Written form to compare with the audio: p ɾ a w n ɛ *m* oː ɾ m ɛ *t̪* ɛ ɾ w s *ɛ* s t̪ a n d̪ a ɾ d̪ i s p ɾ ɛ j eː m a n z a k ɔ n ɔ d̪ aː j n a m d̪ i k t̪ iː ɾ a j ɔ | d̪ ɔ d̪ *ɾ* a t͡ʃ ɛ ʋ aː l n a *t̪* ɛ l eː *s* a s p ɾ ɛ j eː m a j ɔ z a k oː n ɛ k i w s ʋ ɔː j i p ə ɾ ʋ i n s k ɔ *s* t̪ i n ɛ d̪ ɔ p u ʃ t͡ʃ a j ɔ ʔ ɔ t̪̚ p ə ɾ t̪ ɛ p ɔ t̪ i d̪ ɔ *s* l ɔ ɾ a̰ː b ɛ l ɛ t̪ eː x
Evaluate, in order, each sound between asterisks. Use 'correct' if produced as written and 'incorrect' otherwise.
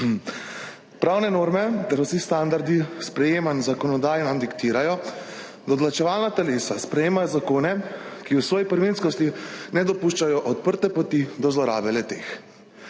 incorrect, correct, incorrect, incorrect, correct, correct, correct, incorrect

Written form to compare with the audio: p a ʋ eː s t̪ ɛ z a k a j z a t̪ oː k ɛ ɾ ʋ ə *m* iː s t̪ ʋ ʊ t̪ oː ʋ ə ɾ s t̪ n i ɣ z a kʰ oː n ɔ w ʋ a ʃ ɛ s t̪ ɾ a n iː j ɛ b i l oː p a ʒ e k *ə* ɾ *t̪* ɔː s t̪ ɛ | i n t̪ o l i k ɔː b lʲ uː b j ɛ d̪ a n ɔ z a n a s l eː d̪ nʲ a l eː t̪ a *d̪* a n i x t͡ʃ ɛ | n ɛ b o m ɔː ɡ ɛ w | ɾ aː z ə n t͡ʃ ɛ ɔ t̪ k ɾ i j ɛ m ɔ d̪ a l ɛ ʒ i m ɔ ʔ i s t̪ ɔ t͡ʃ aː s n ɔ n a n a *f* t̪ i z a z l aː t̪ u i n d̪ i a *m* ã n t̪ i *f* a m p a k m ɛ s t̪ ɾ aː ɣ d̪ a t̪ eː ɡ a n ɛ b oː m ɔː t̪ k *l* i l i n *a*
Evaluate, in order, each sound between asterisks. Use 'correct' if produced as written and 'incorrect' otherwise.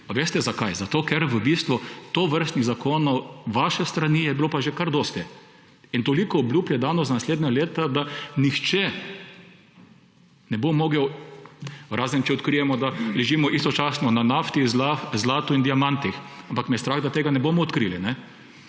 incorrect, incorrect, incorrect, correct, correct, correct, incorrect, incorrect, incorrect

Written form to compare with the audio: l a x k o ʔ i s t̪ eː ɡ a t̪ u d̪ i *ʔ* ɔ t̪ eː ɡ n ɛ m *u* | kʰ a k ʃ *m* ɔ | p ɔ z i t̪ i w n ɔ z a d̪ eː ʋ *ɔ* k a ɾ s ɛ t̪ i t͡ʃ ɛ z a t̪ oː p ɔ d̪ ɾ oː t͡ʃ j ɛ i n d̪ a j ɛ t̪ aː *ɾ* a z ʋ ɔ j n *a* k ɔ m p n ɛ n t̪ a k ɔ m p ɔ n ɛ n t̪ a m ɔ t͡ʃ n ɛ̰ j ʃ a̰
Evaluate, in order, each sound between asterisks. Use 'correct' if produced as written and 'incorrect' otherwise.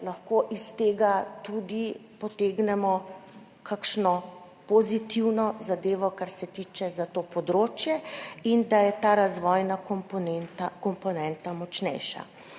incorrect, incorrect, incorrect, correct, correct, correct

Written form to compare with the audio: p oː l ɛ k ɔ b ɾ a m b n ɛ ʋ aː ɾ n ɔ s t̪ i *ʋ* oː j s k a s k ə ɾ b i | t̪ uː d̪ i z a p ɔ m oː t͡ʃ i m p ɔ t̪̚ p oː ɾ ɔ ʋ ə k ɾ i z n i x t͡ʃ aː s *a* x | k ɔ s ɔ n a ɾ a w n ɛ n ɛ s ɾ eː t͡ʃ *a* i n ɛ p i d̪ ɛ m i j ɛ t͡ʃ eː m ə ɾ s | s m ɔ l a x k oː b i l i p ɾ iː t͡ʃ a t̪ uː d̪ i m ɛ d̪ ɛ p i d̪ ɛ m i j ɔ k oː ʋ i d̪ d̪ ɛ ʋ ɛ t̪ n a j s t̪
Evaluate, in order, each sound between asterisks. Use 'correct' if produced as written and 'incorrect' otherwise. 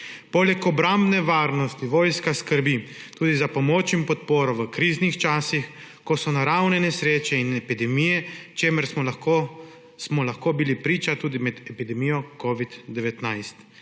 correct, incorrect, incorrect

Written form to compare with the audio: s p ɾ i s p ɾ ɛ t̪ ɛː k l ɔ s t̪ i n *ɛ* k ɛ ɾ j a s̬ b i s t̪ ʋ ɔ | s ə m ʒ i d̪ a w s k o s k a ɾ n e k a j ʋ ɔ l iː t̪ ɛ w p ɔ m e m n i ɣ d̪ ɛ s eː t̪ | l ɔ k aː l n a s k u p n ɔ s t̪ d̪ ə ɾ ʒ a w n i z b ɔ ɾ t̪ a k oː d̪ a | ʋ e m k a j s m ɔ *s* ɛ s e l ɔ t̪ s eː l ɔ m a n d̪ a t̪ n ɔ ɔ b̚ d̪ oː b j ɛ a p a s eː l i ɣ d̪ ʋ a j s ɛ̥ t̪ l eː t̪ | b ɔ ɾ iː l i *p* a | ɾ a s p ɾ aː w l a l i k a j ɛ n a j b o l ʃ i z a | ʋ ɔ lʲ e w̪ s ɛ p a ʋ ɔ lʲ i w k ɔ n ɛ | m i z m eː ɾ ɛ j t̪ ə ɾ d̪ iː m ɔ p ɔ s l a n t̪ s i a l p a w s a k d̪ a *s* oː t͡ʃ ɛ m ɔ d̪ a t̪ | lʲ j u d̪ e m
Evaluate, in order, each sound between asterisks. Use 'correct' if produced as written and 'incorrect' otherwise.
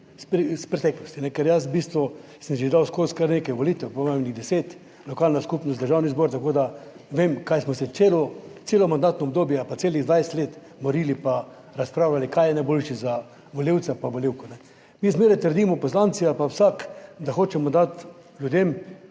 correct, correct, correct, incorrect

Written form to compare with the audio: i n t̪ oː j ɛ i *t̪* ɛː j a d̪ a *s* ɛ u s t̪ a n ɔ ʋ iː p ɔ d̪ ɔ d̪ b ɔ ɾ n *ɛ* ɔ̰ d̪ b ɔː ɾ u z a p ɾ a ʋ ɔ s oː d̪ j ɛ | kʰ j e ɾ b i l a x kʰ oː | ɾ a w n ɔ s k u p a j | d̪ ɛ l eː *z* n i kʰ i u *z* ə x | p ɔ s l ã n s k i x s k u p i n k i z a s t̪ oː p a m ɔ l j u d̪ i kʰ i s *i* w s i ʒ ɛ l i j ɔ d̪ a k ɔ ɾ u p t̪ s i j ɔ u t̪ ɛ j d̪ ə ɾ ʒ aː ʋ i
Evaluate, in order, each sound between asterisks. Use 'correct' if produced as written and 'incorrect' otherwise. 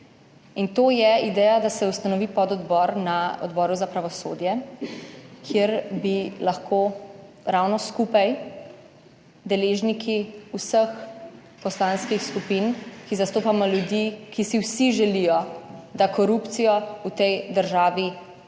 incorrect, correct, incorrect, incorrect, incorrect, correct

